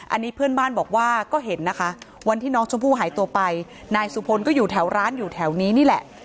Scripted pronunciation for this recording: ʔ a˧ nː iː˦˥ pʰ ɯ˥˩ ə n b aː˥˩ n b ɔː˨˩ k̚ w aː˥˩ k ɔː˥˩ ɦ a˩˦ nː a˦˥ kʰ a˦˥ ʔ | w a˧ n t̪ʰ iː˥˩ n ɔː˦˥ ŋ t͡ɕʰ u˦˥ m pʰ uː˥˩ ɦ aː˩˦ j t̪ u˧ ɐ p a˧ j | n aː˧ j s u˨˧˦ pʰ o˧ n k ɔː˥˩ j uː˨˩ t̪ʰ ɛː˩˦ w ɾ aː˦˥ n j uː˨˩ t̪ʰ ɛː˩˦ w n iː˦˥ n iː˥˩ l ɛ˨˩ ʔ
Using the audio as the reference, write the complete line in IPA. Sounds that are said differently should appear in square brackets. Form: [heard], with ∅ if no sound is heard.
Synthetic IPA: ʔ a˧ nː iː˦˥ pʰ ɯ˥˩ ə n b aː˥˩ n b ɔː˨˩ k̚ w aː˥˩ k ɔː˥˩ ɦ [e˩˦] nː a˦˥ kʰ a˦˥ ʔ | w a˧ n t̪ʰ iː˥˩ n ɔː˦˥ ŋ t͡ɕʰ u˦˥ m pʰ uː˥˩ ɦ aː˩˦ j t̪ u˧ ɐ p a˧ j | n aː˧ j s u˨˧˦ pʰ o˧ n k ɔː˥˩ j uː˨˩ t̪ʰ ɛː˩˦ w ɾ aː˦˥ n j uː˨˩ t̪ʰ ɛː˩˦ w n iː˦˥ n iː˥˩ l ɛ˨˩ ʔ